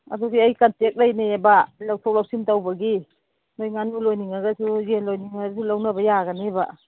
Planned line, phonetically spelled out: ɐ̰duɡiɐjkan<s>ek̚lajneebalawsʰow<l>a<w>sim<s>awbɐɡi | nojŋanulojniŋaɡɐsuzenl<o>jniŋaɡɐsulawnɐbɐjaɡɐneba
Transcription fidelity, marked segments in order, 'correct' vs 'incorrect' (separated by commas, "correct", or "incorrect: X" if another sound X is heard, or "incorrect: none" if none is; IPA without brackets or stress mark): incorrect: t, correct, correct, incorrect: t, correct